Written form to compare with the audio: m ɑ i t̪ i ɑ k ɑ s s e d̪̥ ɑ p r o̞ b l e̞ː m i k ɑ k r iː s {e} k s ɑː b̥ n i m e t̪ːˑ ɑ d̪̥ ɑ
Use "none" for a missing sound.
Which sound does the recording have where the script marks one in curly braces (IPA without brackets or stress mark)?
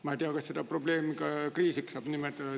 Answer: i